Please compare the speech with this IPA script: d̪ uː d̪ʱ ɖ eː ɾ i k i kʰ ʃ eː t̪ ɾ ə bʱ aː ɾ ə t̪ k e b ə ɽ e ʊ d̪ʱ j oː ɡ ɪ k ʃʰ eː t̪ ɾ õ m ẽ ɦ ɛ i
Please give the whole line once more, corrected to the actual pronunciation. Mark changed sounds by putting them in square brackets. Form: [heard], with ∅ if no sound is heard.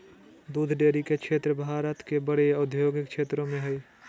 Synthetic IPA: d̪ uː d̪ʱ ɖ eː ɾ i k [e] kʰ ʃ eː t̪ ɾ ə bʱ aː ɾ ə t̪ k e b ə ɽ e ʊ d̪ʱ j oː ɡ ɪ k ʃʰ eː t̪ ɾ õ m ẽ ɦ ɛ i